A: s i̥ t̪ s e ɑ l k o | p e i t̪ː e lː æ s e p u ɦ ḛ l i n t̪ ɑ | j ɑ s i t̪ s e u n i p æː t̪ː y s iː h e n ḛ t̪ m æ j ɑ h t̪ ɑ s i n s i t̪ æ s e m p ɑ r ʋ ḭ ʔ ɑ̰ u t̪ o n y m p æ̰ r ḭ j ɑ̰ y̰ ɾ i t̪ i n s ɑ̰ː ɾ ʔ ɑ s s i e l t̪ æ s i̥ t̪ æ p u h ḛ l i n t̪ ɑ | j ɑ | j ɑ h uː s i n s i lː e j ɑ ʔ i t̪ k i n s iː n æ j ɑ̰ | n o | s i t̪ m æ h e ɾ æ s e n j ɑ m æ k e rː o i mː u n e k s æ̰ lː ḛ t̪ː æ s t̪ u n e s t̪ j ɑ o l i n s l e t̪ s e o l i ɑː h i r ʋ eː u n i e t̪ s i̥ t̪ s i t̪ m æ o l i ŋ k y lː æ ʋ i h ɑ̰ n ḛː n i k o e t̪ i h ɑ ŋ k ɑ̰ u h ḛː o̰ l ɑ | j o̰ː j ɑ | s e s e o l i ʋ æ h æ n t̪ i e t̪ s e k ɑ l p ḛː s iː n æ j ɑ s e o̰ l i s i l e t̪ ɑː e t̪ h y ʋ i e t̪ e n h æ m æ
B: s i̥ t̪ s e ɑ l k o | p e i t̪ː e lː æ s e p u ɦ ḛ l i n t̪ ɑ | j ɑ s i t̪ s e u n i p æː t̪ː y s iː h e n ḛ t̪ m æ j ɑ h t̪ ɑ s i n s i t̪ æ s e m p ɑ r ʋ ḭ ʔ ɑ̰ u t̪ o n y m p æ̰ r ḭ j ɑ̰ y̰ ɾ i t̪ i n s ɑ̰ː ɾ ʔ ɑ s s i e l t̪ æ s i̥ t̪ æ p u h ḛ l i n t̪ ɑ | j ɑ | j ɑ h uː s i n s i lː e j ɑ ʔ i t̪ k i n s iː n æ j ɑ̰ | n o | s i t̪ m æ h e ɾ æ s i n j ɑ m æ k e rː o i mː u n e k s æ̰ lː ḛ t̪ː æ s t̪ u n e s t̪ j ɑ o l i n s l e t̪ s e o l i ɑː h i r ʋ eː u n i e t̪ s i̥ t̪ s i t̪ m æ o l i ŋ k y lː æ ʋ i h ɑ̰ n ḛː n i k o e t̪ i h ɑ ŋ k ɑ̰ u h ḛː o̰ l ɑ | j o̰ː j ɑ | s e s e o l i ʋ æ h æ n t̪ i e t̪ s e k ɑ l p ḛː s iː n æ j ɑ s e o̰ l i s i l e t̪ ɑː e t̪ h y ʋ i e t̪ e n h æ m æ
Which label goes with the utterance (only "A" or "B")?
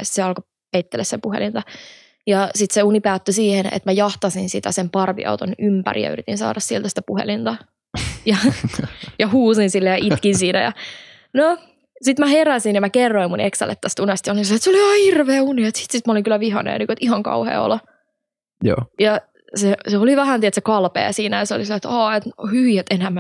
B